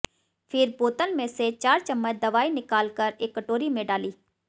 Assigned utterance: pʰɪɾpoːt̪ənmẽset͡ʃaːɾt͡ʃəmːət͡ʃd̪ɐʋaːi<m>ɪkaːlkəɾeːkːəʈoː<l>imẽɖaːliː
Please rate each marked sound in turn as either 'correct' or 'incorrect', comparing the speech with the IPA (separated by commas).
incorrect, incorrect